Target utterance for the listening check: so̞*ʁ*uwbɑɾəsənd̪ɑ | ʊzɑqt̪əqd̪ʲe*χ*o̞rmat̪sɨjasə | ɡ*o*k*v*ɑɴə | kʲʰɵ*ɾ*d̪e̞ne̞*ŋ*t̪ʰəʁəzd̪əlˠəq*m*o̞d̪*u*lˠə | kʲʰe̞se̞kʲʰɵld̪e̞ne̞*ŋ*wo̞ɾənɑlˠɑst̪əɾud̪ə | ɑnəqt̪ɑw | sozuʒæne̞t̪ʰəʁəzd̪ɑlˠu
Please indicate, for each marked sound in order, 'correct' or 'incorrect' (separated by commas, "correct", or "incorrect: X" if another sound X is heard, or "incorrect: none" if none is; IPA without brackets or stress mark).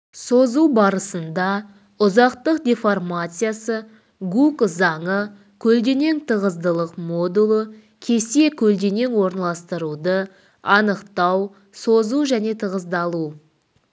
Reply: incorrect: z, incorrect: f, incorrect: u, incorrect: z, incorrect: l, correct, correct, correct, correct